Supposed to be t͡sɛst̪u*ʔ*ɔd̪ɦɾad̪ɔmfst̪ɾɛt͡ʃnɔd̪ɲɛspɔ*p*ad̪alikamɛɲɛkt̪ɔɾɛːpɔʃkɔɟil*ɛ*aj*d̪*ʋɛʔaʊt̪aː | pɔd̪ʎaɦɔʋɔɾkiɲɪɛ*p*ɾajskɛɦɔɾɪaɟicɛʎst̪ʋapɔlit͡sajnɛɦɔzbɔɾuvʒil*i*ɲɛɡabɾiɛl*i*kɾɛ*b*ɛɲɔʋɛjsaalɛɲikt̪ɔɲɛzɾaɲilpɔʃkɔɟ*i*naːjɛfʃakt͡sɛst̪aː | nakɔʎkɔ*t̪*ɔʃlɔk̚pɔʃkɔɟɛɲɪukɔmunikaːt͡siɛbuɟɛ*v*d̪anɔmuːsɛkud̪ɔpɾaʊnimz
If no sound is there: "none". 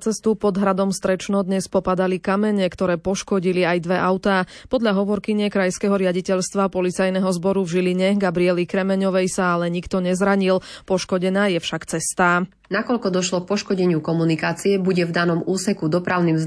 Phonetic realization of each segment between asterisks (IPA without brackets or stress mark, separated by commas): p, p, i, d̪, k, i, i, m, ɛ, d̪, v